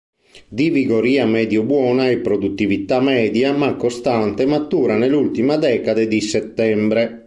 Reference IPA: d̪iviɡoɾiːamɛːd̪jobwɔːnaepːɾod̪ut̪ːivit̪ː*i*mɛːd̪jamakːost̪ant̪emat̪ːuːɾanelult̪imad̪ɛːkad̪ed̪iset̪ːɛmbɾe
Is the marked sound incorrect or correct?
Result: incorrect